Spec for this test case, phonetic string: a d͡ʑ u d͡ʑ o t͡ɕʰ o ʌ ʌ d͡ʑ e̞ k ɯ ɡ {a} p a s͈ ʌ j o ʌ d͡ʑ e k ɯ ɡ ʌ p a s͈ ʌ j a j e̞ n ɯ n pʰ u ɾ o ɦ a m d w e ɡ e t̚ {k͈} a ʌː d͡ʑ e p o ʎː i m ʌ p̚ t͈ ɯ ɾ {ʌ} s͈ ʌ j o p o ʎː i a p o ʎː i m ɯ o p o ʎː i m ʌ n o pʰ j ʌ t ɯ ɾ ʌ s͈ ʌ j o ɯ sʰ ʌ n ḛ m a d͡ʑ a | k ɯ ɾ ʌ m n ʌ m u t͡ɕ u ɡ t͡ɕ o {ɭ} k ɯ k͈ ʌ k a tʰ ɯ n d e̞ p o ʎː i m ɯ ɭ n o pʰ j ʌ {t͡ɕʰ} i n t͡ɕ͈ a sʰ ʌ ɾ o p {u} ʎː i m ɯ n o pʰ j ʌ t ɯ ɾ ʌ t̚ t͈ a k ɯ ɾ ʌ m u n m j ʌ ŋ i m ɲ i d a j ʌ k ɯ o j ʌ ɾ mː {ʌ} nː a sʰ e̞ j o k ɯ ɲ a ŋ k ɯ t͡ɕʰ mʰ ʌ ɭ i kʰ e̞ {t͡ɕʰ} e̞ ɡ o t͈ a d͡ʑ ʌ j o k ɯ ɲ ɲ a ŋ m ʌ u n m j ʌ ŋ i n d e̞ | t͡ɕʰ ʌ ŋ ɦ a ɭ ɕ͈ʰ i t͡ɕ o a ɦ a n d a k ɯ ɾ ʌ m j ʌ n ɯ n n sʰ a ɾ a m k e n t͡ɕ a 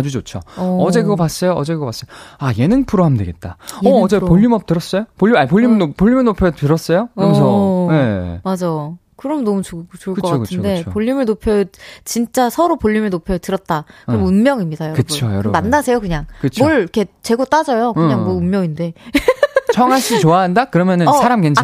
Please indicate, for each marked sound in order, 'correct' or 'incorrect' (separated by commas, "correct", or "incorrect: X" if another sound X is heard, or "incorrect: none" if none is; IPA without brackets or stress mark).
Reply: incorrect: ʌ, incorrect: t͈, correct, correct, incorrect: t͡ɕ, incorrect: o, incorrect: a, incorrect: t͡ɕ